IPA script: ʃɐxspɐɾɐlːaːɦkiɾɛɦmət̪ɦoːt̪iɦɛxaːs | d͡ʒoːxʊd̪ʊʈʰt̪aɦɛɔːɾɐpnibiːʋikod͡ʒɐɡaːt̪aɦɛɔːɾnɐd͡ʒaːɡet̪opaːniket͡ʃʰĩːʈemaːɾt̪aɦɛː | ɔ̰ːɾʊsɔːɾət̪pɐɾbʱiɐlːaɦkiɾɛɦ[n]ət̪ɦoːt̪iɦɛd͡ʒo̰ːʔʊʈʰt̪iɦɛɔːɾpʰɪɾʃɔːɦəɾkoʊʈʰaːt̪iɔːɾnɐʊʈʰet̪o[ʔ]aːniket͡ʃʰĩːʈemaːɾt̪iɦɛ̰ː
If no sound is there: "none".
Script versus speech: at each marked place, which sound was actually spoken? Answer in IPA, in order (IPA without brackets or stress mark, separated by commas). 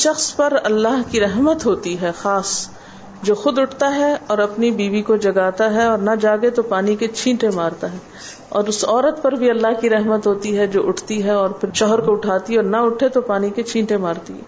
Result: m, p